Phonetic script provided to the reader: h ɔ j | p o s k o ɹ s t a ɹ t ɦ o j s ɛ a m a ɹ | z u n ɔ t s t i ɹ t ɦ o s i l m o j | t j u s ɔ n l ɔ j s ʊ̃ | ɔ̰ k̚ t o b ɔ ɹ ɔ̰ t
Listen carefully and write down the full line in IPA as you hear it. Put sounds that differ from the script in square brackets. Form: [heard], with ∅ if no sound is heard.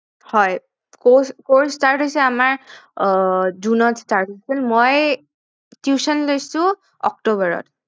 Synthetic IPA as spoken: h ɔ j | [k] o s k o ɹ s t a ɹ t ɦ o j s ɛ a m a ɹ | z u n ɔ t s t [a] ɹ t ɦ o s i l m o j | t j u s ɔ n l [o] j s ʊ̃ | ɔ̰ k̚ t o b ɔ ɹ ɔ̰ t